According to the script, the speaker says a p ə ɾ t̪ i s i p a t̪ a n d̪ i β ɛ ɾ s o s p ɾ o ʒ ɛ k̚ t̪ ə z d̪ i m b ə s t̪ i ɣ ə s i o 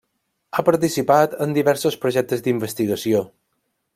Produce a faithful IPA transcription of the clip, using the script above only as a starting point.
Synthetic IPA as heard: a p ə ɾ t̪ i s i p a t̪ ə n d̪ i β ɛ ɾ s o s p ɾ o ʒ ɛ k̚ t̪ ə z d̪ i m b ə s t̪ i ɣ ə s i o